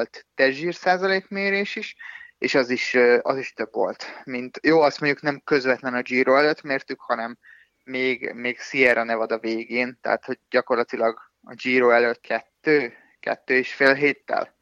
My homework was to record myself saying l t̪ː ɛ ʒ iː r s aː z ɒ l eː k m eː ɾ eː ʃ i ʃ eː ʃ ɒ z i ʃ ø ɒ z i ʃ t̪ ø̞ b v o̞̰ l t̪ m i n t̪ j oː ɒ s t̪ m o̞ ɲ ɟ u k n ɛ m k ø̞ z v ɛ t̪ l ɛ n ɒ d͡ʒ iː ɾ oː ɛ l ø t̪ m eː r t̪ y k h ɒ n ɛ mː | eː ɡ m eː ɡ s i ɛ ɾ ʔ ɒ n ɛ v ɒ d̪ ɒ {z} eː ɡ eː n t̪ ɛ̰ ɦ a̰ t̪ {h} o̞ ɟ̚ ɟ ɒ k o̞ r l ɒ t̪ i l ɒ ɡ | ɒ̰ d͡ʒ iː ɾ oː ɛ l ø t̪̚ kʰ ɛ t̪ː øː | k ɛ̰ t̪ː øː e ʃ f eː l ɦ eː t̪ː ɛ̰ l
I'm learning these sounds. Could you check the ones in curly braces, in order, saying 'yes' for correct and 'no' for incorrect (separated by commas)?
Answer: no, yes